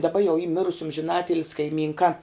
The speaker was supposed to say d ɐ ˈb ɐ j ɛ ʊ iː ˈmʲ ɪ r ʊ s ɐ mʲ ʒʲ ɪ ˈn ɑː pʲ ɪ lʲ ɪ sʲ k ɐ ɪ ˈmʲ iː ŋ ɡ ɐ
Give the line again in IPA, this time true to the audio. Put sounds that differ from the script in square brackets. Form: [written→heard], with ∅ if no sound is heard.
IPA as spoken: d ɐ ˈb ɐ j ɛ ʊ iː ˈmʲ ɪ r ʊ s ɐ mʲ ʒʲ ɪ ˈn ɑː [pʲ→tʲ] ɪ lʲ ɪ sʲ k ɐ ɪ ˈmʲ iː ŋ [ɡ→k] ɐ

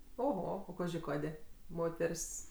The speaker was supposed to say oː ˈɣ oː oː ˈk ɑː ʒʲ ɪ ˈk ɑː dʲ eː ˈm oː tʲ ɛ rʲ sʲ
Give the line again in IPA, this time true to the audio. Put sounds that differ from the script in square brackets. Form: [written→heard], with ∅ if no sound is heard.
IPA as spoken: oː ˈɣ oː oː ˈk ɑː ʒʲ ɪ ˈk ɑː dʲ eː ˈm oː tʲ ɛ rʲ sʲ

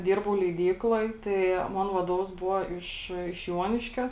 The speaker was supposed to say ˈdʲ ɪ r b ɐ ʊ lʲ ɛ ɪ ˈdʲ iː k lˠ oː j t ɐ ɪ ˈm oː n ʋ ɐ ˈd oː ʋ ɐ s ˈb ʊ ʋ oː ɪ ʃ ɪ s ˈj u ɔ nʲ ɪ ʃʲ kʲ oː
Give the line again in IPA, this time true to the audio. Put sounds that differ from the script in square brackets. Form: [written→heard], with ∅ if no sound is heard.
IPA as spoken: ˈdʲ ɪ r b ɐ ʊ lʲ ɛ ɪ ˈdʲ iː k lˠ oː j t ɐ ɪ ˈm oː n ʋ ɐ ˈd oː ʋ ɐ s ˈb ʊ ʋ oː ɪ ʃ ɪ [s→ʃ] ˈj u ɔ nʲ ɪ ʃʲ kʲ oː

